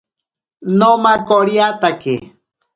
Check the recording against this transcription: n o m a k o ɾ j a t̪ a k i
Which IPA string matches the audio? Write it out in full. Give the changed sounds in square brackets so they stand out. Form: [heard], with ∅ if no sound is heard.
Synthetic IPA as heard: n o m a k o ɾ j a t̪ a k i